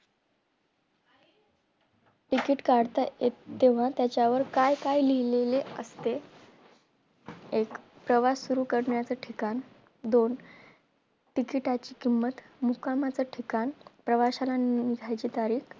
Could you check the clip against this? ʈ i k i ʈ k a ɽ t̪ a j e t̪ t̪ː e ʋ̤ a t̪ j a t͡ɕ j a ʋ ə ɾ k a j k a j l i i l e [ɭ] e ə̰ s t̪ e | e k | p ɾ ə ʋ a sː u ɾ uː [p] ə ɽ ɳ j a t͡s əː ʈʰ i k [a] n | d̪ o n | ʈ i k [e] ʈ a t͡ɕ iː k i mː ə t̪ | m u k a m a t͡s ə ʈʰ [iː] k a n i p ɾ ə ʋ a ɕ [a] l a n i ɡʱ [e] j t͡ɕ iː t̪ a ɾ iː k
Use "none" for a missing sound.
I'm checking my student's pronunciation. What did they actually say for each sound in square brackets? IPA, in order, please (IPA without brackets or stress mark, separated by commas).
l, k, a, i, i, a, a